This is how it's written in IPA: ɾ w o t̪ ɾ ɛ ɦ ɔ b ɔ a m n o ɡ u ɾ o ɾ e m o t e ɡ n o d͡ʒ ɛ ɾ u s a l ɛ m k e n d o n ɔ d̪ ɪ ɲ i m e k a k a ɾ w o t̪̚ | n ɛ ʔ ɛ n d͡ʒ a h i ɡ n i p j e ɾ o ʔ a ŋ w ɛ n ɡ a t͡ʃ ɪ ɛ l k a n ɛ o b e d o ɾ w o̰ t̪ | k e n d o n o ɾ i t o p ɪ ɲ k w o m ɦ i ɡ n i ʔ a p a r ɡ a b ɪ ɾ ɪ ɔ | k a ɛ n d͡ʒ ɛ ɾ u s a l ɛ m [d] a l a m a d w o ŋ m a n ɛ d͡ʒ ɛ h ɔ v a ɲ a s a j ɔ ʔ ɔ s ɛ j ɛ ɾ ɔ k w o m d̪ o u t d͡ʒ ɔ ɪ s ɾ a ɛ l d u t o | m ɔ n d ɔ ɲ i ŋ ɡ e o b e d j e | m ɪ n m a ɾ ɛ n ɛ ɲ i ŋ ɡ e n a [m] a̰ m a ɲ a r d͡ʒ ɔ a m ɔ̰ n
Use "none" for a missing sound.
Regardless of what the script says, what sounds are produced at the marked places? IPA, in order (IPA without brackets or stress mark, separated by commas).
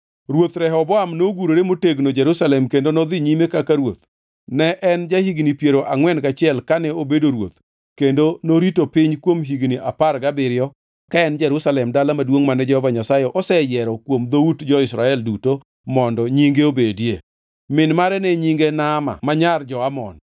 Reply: d, m